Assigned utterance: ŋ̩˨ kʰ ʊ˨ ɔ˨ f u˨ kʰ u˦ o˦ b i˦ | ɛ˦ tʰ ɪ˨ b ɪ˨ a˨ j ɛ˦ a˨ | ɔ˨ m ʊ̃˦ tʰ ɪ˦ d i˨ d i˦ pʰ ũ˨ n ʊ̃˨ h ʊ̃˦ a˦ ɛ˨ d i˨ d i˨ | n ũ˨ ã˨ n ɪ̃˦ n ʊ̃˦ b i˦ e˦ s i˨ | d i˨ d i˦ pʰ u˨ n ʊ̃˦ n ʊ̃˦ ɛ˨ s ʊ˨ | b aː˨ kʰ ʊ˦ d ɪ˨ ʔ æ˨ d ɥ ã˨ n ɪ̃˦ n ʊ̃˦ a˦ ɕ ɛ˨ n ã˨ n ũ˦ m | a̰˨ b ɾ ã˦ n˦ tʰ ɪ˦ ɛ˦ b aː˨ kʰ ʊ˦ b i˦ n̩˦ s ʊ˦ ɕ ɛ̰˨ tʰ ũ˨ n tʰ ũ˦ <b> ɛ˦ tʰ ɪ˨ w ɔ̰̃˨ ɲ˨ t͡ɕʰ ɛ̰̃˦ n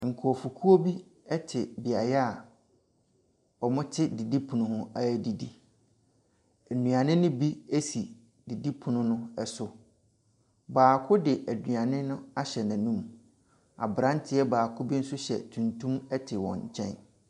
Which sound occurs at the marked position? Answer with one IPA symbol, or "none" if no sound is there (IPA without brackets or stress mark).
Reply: m